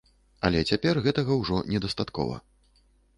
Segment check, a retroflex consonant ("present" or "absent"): present